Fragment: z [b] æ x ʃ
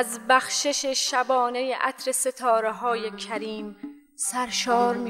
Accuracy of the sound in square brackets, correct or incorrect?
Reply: correct